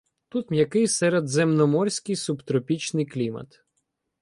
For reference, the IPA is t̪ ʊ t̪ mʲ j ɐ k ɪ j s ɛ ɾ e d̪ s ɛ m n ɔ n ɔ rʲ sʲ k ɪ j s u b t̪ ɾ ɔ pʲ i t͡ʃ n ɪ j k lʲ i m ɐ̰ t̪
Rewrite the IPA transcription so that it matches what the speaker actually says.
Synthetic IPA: t̪ u t̪ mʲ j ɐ k ɪ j s ɛ ɾ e d̪ z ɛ m n ɔ m ɔ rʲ sʲ k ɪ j s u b t̪ ɾ ɔ pʲ i t͡ʃ n ɪ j k lʲ i m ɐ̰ t̪